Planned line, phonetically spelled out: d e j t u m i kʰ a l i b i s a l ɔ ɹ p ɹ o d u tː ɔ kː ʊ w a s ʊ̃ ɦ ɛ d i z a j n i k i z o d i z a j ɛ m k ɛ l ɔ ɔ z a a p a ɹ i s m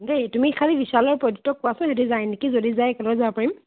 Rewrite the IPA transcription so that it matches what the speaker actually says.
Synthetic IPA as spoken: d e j t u m i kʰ a l i b i s a l ɔ ɹ p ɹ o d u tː ɔ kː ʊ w a s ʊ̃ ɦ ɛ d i z a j n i k i z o d i z a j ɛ k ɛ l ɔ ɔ z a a p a ɹ i m